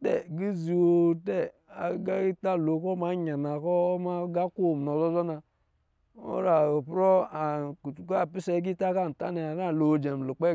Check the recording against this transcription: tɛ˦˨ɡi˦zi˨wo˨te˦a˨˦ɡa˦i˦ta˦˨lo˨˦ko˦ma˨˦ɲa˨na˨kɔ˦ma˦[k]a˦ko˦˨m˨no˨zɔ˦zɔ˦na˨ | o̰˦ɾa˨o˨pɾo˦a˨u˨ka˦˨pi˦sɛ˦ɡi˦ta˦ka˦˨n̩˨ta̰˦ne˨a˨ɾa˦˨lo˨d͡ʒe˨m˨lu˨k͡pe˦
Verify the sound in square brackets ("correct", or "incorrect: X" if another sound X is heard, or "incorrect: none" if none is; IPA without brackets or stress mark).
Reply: incorrect: ɡ